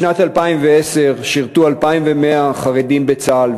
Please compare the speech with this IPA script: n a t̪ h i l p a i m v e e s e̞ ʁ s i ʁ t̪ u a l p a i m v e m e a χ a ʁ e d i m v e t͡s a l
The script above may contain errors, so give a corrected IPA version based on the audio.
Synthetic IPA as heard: n a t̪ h a l p a i m v e e s e̞ ʁ ʃ i ʁ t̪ u a l p a i m v e m e a χ a ʁ e d i m b e t͡s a l